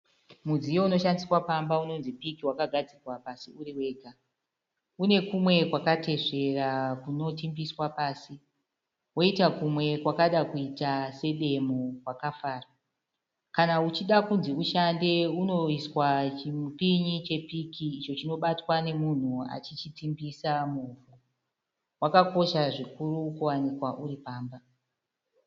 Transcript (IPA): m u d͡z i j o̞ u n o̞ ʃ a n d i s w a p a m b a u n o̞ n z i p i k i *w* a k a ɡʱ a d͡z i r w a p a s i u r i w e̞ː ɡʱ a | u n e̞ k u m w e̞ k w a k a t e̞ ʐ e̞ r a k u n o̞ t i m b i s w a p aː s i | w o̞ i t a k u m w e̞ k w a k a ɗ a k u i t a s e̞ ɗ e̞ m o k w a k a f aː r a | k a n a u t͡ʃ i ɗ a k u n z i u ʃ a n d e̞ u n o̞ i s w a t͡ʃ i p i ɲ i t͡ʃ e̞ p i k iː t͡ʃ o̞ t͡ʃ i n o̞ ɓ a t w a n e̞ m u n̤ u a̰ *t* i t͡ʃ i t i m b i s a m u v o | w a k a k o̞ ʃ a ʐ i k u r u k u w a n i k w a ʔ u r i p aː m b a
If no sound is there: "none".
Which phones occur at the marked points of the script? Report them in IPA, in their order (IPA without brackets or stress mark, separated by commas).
w, t͡ʃ